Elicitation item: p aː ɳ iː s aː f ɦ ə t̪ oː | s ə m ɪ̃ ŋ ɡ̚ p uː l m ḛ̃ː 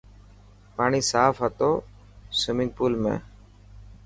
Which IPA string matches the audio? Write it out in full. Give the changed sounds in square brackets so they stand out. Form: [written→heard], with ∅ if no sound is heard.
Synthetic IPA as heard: p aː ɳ iː s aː f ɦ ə t̪ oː | s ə m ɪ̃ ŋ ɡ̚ p uː l m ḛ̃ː